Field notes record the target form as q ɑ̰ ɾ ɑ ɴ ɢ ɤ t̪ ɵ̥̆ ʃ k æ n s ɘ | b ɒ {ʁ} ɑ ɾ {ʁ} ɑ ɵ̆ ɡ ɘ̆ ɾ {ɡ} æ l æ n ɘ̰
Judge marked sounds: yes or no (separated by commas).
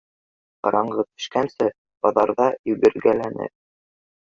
no, no, yes